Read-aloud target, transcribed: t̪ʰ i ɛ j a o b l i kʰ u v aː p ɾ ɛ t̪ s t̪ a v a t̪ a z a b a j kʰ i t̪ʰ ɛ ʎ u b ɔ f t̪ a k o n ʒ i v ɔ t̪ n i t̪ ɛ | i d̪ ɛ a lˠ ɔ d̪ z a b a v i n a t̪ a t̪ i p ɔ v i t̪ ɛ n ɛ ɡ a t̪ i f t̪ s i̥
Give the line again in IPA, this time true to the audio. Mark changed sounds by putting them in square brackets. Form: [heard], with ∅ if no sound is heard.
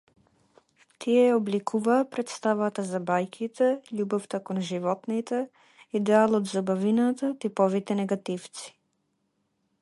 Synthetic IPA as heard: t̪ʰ i ɛ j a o b l i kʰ u v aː p ɾ ɛ t̪ s t̪ a v a t̪ a z a b a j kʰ i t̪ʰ ɛ ʎ u b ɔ f t̪ a k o n ʒ i v ɔ t̪ n i t̪ ɛ | i d̪ ɛ a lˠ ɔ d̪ z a b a v i n a t̪ a t̪ i p ɔ v i t̪ ɛ n ɛ ɡ a t̪ i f t̪ s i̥

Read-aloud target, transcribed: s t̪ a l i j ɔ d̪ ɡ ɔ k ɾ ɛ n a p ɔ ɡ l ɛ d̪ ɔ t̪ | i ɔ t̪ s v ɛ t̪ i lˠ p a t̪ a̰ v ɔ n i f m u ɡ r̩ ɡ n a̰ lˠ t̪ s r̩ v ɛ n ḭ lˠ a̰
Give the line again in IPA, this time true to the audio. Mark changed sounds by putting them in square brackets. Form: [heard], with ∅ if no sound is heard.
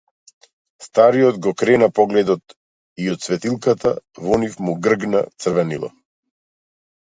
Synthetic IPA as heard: s t̪ a [ɾ] i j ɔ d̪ ɡ ɔ k ɾ ɛ n a p ɔ ɡ l ɛ d̪ ɔ t̪ | i ɔ t̪ s v ɛ t̪ i lˠ [k] a t̪ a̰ v ɔ n i f m u ɡ r̩ ɡ n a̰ [∅] t̪ s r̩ v ɛ n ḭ lˠ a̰

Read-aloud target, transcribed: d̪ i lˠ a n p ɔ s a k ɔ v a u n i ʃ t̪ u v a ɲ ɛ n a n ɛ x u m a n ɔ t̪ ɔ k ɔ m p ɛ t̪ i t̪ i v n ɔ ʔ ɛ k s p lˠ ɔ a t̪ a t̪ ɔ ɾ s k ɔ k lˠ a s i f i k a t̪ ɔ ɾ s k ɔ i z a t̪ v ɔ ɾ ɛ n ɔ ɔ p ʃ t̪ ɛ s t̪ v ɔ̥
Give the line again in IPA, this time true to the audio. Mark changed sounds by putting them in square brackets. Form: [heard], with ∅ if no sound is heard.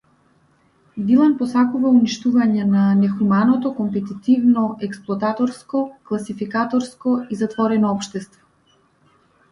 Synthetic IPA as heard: d̪ i lˠ a n p ɔ s a k [u] v a u n i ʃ t̪ u v a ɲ ɛ n a n ɛ x u m a n ɔ t̪ ɔ k ɔ m p ɛ t̪ i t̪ i v n ɔ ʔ ɛ k s p lˠ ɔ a t̪ a t̪ ɔ ɾ s k ɔ k lˠ a s i f i k a t̪ ɔ ɾ s k ɔ i z a t̪ v ɔ ɾ ɛ n ɔ ɔ p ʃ t̪ ɛ s t̪ v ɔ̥

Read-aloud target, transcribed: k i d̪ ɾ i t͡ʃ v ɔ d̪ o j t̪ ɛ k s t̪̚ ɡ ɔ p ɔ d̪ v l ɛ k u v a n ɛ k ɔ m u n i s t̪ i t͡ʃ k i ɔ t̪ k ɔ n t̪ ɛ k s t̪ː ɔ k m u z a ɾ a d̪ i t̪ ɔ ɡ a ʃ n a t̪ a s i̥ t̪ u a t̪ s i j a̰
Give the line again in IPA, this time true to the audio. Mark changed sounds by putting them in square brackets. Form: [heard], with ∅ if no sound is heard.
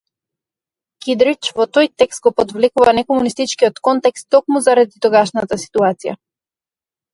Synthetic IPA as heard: k i d̪ ɾ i t͡ʃ v ɔ [t̪] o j t̪ ɛ k s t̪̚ ɡ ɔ p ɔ d̪ v l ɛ k u v a n ɛ k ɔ m u n i s t̪ i t͡ʃ k i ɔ t̪ k ɔ n t̪ ɛ k s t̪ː ɔ k m u z a ɾ a d̪ i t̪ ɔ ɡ a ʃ n a t̪ a s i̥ t̪ u a t̪ s i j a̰

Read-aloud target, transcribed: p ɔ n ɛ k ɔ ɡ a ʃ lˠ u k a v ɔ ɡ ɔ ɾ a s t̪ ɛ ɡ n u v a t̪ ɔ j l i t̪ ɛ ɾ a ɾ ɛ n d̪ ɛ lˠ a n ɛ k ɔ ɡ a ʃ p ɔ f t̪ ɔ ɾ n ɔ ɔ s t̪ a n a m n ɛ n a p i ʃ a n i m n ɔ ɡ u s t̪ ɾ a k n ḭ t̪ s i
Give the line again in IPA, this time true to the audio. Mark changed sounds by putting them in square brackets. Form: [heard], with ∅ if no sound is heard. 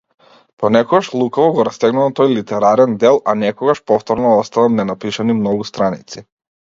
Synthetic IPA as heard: p ɔ n ɛ k ɔ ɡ a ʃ lˠ u k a v ɔ ɡ ɔ ɾ a s t̪ ɛ ɡ n u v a t̪ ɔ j l i t̪ ɛ ɾ a ɾ ɛ n d̪ ɛ lˠ a n ɛ k ɔ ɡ a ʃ p ɔ f t̪ ɔ ɾ n ɔ ɔ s t̪ a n a m n ɛ n a p i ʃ a n i m n ɔ ɡ u s t̪ ɾ a [∅] n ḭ t̪ s i

